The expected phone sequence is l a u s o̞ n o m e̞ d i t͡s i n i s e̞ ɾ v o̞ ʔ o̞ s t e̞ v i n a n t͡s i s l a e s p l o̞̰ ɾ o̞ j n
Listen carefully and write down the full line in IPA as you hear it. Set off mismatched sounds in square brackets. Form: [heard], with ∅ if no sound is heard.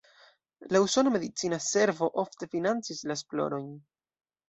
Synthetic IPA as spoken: l a u s o̞ n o m e̞ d i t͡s i n [a] s e̞ ɾ v o̞ ʔ o̞ [f] t e̞ [f] i n a n t͡s i s l a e s p l o̞̰ ɾ o̞ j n